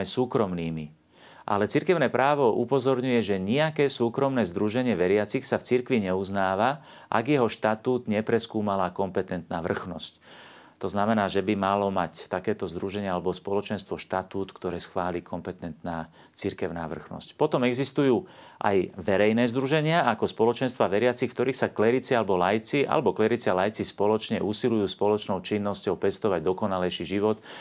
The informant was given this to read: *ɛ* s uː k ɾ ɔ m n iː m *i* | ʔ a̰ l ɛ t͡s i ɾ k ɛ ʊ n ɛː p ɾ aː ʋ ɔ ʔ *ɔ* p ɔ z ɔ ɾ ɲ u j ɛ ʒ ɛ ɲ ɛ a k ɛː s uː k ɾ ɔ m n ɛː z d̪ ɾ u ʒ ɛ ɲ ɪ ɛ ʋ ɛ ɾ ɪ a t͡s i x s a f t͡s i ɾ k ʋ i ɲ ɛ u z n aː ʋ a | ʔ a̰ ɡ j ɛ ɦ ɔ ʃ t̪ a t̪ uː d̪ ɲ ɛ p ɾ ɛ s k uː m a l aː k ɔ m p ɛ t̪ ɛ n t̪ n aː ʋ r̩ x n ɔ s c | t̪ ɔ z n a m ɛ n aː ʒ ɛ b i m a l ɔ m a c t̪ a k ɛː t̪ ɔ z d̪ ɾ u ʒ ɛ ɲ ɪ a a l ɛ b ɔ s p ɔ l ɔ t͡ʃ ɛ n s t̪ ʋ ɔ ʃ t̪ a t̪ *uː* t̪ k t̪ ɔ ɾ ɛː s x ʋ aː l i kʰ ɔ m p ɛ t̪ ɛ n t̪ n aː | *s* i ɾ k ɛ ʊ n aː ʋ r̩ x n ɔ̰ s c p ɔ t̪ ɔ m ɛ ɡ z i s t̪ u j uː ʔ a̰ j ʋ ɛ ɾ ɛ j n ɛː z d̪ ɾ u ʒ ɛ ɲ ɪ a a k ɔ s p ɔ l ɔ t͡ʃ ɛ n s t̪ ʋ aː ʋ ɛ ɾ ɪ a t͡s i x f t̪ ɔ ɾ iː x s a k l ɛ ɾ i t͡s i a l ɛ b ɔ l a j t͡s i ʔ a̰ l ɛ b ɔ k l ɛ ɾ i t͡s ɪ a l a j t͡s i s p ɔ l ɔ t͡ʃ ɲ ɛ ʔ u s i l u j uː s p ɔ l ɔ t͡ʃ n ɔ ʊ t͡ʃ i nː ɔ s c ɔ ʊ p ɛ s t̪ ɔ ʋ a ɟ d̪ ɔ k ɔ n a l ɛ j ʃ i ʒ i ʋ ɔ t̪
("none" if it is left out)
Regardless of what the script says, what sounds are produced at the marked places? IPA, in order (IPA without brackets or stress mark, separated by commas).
ɛ, i, u, uː, t͡s